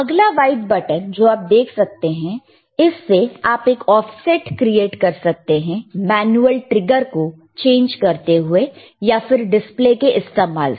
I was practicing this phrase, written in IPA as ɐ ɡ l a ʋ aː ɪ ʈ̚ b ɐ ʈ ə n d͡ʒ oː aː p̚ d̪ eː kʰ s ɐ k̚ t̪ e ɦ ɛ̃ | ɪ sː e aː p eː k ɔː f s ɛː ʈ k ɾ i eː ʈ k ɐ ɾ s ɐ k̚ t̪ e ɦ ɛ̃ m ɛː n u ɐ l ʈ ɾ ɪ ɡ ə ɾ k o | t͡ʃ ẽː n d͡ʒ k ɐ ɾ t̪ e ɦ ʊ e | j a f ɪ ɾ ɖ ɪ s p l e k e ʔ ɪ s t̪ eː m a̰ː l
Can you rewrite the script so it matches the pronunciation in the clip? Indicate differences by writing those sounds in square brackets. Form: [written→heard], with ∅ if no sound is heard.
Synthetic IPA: ɐ ɡ l a ʋ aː ɪ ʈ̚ b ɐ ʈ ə n d͡ʒ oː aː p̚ d̪ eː kʰ s ɐ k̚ t̪ e ɦ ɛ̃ | ɪ sː e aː p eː k ɔː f s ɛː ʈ k ɾ i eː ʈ k ɐ ɾ s ɐ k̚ t̪ e ɦ ɛ̃ m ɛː n u [ɐ→ə] l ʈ ɾ ɪ ɡ ə ɾ k o | t͡ʃ ẽː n d͡ʒ k ɐ ɾ t̪ e ɦ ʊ e | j a f ɪ ɾ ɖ ɪ s p l e k e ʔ ɪ s t̪ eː m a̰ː l